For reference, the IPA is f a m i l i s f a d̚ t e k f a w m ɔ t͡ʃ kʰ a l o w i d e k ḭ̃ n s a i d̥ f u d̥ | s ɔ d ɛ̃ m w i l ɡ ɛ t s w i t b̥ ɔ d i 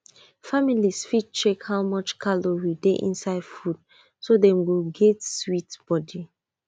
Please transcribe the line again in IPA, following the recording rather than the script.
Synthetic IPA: f a m i l i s f i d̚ t͡ʃ e k h a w m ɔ t͡ʃ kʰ a l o w i d e ʔ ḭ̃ n s a ɪ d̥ f u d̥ | s o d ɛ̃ m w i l ɡ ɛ t s w i t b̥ ɔ d i